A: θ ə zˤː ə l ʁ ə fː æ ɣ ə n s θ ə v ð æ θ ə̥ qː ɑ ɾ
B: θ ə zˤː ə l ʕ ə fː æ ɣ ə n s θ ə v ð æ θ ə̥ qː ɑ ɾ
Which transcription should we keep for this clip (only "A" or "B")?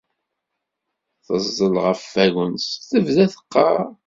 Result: A